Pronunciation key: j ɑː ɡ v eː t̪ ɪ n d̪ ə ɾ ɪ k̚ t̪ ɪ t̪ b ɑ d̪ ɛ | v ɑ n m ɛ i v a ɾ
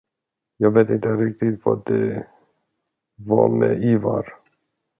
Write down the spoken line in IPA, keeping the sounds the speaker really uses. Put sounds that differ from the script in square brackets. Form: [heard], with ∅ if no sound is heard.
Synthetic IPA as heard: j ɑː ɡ v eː t̪ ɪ n [t̪] ə ɾ ɪ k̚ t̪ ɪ t̪ [v] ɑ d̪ ɛ | v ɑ [∅] m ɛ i v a ɾ